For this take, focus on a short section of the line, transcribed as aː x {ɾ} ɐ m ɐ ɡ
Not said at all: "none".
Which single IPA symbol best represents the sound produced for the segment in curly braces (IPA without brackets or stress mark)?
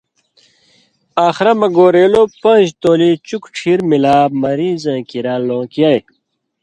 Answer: ɾ